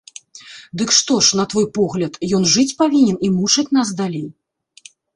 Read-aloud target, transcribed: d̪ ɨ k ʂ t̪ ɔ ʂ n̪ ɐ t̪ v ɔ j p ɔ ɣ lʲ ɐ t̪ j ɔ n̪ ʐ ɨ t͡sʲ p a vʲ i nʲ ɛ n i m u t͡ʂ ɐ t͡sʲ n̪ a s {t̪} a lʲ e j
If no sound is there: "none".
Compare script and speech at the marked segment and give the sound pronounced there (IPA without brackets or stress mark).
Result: d̪